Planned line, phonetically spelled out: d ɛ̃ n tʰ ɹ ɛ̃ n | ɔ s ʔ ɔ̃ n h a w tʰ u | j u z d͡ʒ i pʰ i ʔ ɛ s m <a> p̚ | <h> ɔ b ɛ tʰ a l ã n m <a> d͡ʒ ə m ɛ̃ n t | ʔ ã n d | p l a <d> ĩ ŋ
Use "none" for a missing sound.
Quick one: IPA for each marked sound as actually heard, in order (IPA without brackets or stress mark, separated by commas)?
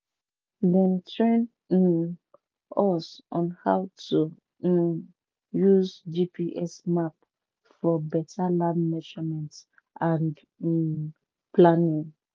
a, f, ɛ, n